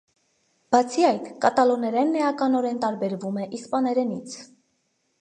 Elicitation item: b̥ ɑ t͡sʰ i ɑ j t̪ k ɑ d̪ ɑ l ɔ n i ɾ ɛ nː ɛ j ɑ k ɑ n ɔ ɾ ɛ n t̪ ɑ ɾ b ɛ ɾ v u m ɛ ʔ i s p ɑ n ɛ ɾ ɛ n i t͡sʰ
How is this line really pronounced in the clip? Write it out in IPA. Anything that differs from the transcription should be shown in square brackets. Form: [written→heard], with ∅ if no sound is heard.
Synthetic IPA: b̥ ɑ t͡sʰ i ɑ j t̪ k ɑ [d̪→t̪] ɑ l ɔ n [i→ɛ] ɾ ɛ nː ɛ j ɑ k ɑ n ɔ ɾ ɛ n t̪ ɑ ɾ b ɛ ɾ v u m ɛ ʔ i s p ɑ n ɛ ɾ ɛ n i t͡sʰ